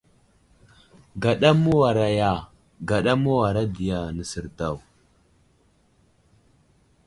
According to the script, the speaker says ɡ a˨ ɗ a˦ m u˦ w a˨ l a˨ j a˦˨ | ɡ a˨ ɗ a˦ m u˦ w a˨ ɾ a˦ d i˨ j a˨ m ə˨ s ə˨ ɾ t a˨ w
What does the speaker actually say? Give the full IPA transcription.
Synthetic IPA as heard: ɡ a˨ ɗ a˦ m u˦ w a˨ ɾ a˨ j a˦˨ | ɡ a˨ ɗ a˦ m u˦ w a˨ ɾ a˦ d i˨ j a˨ n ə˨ s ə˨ ɾ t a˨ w